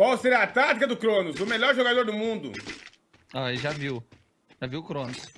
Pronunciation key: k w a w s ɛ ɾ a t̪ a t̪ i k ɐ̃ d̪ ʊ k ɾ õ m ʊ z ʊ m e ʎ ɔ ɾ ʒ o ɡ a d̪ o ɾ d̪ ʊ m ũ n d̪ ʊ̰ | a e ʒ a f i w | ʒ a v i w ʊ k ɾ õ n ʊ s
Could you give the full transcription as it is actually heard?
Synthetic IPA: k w a w s e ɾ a t̪ a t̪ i k ɐ d̪ ʊ k ɾ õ n ʊ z ʊ m e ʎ ɔ ɾ ʒ o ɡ a d̪ o ɾ d̪ ʊ m ũ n d̪ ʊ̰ | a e ʒ a v i w | ʒ a v i w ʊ k ɾ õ n ʊ s